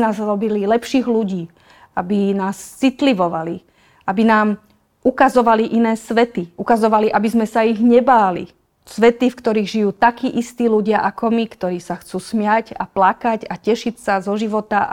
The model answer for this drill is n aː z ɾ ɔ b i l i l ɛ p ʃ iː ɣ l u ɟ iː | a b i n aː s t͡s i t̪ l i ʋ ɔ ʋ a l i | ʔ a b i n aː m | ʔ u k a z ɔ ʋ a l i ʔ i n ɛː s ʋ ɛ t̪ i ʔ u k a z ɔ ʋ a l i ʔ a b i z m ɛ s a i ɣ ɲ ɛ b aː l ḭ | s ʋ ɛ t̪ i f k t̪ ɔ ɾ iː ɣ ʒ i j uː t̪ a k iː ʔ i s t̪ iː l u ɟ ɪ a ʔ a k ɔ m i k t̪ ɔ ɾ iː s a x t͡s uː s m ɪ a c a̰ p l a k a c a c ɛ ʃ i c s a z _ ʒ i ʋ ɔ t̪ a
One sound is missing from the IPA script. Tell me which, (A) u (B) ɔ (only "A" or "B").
B